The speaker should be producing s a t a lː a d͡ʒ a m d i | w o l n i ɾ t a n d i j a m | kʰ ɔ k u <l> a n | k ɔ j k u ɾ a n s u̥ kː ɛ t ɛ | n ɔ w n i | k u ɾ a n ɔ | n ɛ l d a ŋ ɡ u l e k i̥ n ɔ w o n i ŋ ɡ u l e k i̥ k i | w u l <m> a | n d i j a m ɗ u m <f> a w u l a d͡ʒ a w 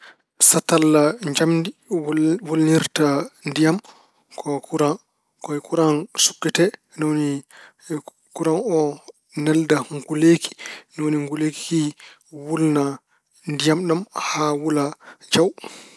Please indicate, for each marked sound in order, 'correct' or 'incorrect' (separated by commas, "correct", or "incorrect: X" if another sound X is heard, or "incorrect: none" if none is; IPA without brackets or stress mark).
incorrect: ɾ, incorrect: n, incorrect: h